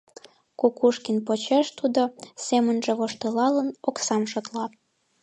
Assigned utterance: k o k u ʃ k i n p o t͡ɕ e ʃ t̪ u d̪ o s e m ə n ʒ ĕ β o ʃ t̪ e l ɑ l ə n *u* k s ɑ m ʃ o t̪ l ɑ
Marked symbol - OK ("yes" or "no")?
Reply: no